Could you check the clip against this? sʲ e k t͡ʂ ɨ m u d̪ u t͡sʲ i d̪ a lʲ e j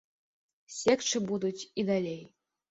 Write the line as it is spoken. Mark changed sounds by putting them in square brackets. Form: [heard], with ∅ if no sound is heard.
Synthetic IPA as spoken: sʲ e k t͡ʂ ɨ [b] u d̪ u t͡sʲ i d̪ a lʲ e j